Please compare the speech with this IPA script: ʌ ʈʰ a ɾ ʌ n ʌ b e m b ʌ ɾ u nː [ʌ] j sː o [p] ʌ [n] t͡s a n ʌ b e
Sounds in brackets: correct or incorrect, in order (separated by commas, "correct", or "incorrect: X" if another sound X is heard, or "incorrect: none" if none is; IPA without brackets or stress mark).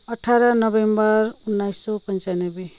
incorrect: a, correct, correct